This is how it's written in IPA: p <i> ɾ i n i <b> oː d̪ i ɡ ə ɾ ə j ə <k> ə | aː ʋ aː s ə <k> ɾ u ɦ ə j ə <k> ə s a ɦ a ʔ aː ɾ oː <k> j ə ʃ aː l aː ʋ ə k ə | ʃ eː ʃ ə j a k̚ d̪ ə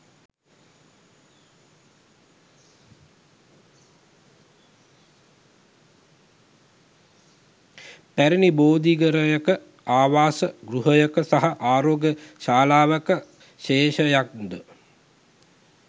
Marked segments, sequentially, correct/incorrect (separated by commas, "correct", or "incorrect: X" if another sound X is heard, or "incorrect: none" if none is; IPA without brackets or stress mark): incorrect: æ, correct, correct, incorrect: ɡ, correct, incorrect: ɡ